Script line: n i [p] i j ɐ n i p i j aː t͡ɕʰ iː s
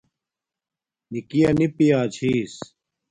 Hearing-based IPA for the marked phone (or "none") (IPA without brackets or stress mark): k